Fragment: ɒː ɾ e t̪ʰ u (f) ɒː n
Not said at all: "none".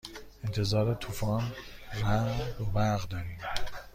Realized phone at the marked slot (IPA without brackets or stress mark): f